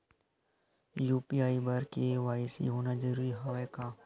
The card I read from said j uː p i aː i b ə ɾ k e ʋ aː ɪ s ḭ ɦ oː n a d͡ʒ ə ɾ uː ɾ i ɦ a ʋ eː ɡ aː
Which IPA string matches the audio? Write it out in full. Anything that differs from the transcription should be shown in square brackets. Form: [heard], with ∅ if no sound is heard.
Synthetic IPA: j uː p i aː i b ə ɾ k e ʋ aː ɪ s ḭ ɦ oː n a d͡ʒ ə ɾ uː ɾ i ɦ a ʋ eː [k] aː